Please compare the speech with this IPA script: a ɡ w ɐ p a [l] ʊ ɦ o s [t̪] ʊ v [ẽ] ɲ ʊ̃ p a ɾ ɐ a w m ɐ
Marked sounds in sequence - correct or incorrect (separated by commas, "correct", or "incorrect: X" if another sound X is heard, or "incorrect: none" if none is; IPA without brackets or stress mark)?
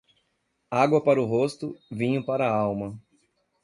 incorrect: ɾ, correct, incorrect: ĩ